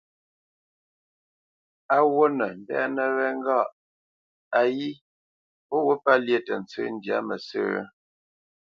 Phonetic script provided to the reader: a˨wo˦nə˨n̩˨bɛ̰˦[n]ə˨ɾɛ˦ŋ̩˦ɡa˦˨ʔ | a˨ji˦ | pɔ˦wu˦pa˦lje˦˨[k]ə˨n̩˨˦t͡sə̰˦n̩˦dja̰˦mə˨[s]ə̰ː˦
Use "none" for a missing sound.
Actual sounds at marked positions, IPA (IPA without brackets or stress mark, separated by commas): n, t, s